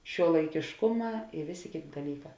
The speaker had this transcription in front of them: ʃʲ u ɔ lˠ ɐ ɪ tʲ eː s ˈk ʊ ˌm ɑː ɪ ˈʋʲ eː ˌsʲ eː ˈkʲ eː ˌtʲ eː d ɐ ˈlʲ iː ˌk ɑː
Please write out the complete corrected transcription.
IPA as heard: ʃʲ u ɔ lˠ ɐ ɪ kʲ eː ʃ ˈk ʊ ˌm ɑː ɪ ˈʋʲ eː ˌsʲ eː ˈkʲ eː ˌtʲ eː d ɐ ˈlʲ iː ˌk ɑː